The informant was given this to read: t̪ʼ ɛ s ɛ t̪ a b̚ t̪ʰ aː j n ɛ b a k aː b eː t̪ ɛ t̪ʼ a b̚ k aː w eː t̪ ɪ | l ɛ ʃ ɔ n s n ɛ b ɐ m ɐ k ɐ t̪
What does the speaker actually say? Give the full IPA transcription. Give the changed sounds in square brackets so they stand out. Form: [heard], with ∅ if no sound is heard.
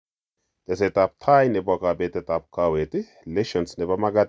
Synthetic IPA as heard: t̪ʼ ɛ s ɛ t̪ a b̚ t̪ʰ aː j n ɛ b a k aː b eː t̪ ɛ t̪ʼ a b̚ k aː w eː t̪ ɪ | l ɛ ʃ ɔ n s n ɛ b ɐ m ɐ [ɡ] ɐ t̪